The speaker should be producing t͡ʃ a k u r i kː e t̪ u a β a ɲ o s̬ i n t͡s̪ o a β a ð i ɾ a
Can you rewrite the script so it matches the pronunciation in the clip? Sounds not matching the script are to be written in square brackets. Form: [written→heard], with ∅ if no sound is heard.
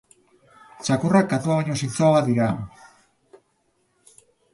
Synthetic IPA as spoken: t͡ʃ a k u r [i→a] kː [e→a] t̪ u a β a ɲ o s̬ i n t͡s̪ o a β a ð i ɾ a